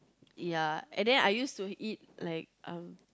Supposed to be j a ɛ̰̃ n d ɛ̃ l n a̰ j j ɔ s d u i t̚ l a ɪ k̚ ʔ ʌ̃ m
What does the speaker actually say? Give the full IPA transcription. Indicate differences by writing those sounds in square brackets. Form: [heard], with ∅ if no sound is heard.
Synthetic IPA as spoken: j a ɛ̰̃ n d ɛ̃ [∅] n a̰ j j [u] s [t] u i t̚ l a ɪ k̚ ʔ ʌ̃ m